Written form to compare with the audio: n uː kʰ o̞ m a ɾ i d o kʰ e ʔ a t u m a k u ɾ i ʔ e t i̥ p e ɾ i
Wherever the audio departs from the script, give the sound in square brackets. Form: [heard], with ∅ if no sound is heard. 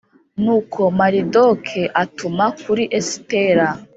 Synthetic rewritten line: n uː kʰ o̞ m a ɾ i d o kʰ e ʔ a t u m a k u ɾ i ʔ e [s] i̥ [t] e ɾ [a]